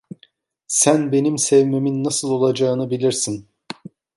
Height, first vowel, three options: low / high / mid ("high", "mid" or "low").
low